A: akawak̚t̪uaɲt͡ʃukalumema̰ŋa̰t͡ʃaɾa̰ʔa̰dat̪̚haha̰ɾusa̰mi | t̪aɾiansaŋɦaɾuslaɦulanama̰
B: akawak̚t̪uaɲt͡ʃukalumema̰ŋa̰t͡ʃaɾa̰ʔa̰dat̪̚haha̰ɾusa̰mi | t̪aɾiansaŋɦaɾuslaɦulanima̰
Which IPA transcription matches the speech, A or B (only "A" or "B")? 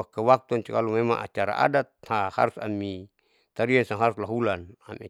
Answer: A